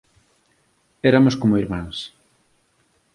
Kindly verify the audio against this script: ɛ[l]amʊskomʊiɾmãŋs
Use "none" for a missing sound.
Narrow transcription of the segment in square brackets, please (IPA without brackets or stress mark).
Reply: ɾ